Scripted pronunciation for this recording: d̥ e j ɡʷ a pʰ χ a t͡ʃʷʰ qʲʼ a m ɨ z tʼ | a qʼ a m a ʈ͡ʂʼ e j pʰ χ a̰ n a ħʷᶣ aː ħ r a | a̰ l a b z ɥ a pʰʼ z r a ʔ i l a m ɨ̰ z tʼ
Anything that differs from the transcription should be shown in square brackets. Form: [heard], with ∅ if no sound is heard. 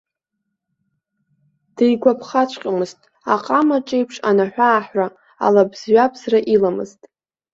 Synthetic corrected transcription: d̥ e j ɡʷ a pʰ χ a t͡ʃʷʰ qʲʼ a m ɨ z tʼ | a qʼ a m a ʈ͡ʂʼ e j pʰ [ʂ] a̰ n a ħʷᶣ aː ħ r a | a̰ l a b z ɥ a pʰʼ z r a ʔ i l a m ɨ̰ z tʼ